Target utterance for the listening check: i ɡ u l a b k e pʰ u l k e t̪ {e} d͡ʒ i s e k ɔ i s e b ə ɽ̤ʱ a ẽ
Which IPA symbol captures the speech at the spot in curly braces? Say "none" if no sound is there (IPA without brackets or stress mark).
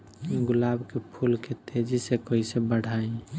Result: e